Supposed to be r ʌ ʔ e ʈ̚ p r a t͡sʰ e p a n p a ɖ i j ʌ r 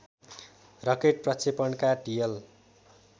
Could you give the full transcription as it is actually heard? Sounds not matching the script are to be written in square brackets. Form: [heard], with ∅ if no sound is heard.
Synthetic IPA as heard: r ʌ [k] e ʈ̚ p r [ʌ] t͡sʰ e p [ʌ] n [k] a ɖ i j ʌ [l]

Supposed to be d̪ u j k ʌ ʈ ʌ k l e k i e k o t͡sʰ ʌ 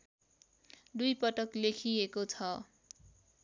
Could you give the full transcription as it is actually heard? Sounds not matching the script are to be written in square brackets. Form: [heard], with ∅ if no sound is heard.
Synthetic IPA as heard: d̪ u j [p] ʌ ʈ ʌ k l e [kʰ] i e k o t͡sʰ ʌ

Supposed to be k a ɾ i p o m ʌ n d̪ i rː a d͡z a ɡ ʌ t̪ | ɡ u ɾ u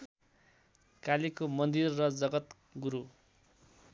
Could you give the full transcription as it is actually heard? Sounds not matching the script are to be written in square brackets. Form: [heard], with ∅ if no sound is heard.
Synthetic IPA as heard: k a [l] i [k] o m ʌ n d̪ i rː [ʌ] d͡z [ʌ] ɡ ʌ t̪ | ɡ u ɾ u

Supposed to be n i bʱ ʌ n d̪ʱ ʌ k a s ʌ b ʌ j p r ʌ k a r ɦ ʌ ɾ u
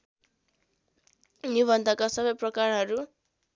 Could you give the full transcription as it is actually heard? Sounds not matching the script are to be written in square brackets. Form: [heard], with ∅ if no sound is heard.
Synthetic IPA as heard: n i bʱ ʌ n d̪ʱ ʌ k a s ʌ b ʌ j p r ʌ k a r ɦ ʌ ɾ u

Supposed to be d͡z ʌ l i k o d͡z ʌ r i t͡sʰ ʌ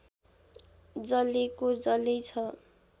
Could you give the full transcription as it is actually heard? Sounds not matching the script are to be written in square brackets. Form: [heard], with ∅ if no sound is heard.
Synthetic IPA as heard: d͡z ʌ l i k o d͡z ʌ [l] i t͡sʰ ʌ

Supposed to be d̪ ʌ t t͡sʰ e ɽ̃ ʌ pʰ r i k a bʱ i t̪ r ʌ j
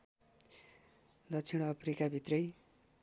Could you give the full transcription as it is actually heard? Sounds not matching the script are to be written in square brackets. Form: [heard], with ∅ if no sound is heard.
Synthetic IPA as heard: d̪ ʌ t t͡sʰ [i] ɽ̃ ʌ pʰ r i k a bʱ i t̪ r ʌ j

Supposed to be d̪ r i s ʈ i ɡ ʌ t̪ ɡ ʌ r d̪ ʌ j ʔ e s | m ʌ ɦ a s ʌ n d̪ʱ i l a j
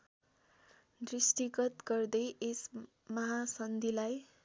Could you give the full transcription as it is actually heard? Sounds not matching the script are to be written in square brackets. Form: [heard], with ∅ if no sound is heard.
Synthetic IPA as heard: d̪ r i s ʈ i ɡ ʌ t̪ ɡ ʌ r d̪ ʌ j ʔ e s | m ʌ ɦ a s ʌ n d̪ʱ i l a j

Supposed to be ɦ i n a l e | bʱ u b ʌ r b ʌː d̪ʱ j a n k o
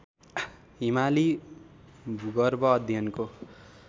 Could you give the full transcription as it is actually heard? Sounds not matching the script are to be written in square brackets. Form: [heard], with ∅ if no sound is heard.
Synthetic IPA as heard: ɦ i [m] a l [i] | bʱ u [ɡ] ʌ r b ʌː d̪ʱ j [ʌ] n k o

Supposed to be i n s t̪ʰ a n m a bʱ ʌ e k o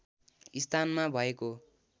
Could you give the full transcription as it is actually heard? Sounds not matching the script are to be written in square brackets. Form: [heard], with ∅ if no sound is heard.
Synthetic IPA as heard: i [∅] s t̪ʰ a n m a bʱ ʌ e k o

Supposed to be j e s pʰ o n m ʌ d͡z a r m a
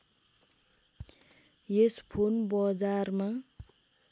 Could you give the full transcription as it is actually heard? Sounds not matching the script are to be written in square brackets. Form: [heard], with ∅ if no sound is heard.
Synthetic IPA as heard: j e s pʰ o n [b] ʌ d͡z a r m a

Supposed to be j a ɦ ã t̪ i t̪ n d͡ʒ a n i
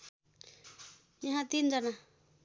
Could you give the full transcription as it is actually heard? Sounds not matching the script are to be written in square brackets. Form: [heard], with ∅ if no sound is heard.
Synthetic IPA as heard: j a ɦ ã t̪ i [∅] n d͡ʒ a n [a]

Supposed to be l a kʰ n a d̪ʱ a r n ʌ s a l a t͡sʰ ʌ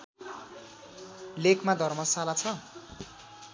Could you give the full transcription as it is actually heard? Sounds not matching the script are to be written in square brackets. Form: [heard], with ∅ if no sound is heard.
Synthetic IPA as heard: l [e] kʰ [m] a d̪ʱ [ʌ] r [m] ʌ s a l a t͡sʰ ʌ

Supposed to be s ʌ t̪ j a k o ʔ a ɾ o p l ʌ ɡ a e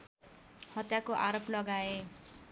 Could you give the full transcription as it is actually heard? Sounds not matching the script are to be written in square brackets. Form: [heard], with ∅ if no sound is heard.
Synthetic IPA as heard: [h] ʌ t̪ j a k o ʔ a ɾ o p l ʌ ɡ a e

